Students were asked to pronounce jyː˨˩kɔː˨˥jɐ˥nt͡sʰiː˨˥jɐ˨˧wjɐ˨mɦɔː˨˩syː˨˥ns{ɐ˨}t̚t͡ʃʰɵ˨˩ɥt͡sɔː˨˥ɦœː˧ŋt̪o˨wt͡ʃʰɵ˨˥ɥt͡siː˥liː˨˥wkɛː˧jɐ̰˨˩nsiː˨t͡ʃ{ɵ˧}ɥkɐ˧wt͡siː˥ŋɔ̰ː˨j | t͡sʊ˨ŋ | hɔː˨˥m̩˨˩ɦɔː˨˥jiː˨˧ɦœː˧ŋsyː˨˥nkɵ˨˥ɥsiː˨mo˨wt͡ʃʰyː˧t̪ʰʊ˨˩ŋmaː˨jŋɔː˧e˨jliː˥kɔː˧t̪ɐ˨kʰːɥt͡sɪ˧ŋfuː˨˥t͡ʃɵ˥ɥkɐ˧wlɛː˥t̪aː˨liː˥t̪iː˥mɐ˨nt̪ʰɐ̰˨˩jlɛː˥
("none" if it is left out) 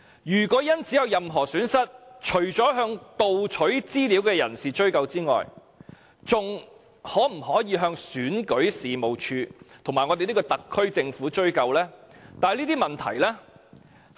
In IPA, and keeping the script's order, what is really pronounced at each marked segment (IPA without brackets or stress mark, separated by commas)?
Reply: ɐ˥, ɵ˥